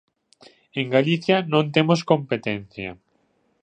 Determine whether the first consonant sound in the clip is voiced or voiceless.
voiced